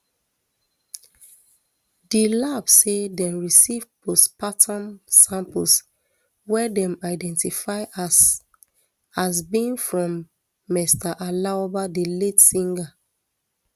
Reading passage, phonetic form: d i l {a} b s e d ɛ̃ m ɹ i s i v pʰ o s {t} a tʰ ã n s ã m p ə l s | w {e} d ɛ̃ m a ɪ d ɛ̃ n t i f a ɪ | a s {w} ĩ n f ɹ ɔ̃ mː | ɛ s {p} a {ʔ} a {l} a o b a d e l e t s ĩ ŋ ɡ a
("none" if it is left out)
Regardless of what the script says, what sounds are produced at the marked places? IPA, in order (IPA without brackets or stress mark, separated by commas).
a, p, ɛ, b, t, ʔ, l